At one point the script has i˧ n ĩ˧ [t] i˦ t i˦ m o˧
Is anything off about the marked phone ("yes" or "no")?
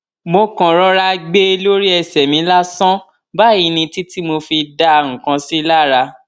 no